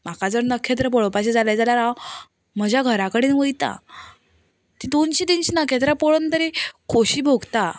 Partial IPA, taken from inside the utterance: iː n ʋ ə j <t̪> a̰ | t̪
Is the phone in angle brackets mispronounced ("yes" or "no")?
no